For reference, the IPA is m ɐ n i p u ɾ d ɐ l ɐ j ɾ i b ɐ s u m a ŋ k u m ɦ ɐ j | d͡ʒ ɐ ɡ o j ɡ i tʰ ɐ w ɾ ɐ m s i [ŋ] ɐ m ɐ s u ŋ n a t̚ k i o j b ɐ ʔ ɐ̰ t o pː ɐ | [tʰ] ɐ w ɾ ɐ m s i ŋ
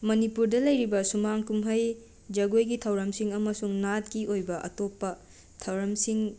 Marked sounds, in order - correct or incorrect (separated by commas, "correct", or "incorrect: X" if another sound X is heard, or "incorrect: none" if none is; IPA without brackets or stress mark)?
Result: correct, correct